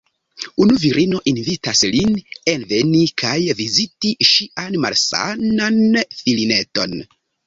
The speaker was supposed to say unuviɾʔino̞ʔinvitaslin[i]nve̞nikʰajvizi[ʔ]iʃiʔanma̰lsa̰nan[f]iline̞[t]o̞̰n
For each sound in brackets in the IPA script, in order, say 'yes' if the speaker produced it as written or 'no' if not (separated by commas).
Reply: no, no, yes, yes